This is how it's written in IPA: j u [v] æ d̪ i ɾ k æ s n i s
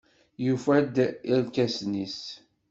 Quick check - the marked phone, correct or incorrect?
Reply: incorrect